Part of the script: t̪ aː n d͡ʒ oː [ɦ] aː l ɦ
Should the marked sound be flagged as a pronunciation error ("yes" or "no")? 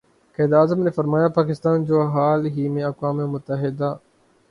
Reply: no